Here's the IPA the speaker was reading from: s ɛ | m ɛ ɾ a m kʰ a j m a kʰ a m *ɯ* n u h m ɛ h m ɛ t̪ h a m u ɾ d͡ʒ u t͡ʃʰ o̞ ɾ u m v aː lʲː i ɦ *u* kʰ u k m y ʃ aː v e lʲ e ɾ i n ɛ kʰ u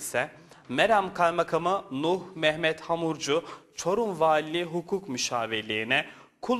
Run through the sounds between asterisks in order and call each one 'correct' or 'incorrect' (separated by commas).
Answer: correct, correct